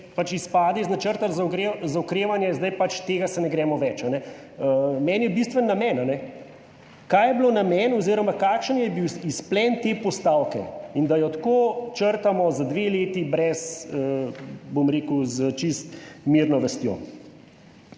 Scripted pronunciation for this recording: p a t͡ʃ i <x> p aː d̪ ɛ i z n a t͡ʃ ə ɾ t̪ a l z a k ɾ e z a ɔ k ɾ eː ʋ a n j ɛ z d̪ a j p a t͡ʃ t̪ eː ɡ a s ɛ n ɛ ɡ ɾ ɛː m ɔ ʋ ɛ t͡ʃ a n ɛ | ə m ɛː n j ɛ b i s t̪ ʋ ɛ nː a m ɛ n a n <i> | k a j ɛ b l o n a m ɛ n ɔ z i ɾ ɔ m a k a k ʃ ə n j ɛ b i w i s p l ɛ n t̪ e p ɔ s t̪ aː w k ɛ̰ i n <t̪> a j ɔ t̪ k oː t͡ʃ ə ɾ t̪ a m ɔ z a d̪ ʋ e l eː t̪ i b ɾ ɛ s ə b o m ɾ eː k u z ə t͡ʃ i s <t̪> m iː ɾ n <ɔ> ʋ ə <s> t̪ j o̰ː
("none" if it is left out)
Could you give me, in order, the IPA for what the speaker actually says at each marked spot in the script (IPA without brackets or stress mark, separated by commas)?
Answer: s, ɛ, d̪, t̪, ɔ, s